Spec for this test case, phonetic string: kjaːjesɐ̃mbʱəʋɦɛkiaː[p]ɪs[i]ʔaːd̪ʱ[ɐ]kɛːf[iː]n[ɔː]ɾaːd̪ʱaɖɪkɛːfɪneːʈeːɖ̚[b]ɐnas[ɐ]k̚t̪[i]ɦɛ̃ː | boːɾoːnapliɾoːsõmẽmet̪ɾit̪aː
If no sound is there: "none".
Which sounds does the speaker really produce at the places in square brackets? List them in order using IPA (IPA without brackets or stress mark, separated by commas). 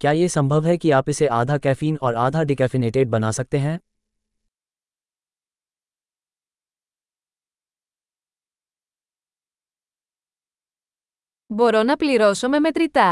p, e, a, iː, ɔː, b, ɐ, e